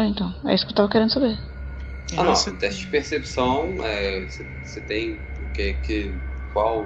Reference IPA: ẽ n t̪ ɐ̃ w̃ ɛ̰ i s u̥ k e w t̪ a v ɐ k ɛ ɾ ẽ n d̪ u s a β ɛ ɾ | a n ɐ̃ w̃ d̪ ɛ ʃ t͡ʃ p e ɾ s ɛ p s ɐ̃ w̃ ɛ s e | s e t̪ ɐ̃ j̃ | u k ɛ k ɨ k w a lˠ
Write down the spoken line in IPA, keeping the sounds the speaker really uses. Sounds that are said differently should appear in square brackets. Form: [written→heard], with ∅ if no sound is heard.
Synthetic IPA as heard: ẽ n t̪ ɐ̃ w̃ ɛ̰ i s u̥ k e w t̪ a v ɐ k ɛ ɾ ẽ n d̪ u s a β [ɛ→e] ɾ | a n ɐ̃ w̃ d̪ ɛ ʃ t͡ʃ p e ɾ s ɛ p s ɐ̃ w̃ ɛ s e | s e t̪ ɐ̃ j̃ | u k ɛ k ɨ k w a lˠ